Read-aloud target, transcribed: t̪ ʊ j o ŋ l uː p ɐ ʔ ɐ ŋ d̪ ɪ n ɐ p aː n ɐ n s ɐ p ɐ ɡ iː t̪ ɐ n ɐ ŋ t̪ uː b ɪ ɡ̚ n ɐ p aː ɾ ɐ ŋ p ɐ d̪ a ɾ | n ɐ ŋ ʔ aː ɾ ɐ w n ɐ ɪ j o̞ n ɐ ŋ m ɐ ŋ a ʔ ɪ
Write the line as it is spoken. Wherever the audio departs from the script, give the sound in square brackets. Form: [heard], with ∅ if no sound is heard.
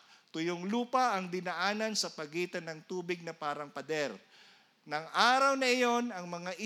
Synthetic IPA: t̪ ʊ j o ŋ l uː p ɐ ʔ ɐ ŋ d̪ ɪ n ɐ [ʔ] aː n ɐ n s ɐ p ɐ ɡ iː t̪ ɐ n ɐ ŋ t̪ uː b ɪ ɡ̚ n ɐ p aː ɾ ɐ ŋ p ɐ d̪ [ɛ] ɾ | n ɐ ŋ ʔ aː ɾ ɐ w n ɐ ɪ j o̞ n ɐ ŋ m ɐ ŋ a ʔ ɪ